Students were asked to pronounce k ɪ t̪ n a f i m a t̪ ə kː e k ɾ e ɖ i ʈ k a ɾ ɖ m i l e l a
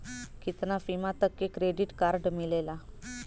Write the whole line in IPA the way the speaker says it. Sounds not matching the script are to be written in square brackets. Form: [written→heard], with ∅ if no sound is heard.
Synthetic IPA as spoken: k [ɪ→i] t̪ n a f i m a t̪ ə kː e k ɾ e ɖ i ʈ k a ɾ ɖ m i l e l a